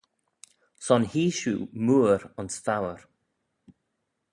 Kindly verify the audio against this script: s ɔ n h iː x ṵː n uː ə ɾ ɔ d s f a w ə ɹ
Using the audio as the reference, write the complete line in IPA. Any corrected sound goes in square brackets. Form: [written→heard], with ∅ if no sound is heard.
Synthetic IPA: s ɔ n h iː [x→ʃ] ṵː [n→m] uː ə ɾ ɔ [d→n] s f a w ə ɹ